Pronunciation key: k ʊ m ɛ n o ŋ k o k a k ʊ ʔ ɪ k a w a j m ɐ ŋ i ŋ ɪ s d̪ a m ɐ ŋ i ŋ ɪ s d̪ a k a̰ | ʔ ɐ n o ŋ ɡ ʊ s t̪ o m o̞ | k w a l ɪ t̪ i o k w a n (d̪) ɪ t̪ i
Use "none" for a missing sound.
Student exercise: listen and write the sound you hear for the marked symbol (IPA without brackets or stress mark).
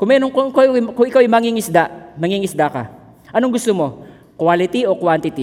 t̪